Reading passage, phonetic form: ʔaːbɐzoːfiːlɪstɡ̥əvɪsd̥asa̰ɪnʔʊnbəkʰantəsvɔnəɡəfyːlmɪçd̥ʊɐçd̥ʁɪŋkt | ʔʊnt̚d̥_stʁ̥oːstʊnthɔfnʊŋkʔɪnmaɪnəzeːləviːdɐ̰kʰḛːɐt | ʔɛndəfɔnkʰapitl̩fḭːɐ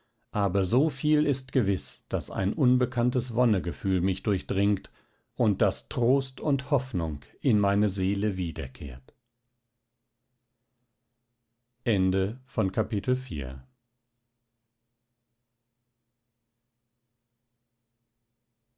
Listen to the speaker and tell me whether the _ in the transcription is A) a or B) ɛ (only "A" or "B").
A